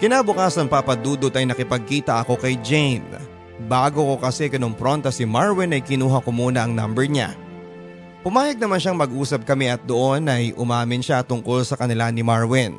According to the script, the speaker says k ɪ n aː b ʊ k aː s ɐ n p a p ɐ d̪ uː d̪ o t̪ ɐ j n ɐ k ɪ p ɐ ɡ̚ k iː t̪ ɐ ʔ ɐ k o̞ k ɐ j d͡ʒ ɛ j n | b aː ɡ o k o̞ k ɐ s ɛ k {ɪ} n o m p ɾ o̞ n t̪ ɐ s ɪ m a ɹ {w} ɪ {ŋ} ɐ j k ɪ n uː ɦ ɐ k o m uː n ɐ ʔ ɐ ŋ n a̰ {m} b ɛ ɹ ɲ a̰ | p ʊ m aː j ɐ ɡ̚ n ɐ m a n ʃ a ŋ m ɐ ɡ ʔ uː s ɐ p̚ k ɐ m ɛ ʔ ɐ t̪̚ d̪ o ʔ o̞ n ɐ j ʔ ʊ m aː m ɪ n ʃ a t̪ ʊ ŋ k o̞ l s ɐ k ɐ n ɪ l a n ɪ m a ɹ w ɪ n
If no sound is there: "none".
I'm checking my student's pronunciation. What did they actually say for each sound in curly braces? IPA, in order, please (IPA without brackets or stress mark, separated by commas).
ɪ, w, n, m